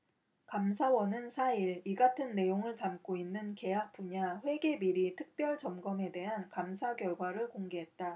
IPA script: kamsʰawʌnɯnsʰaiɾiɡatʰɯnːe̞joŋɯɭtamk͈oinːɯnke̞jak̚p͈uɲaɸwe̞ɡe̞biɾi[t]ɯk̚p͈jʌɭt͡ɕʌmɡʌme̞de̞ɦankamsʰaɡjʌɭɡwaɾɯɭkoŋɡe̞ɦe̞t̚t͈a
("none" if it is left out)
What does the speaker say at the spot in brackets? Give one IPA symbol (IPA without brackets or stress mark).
tʰ